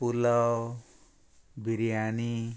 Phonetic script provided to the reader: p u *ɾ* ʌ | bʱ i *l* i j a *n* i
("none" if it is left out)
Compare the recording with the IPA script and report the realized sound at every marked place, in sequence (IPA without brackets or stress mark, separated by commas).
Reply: l, ɾ, n